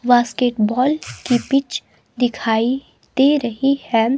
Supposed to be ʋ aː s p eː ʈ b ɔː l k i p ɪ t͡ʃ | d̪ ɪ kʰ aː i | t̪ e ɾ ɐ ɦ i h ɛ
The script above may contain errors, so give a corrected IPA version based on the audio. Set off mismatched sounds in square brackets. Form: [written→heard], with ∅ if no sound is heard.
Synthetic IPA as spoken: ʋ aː s [p→k] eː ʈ b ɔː l k i p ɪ t͡ʃ | d̪ ɪ kʰ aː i | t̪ e ɾ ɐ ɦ i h ɛ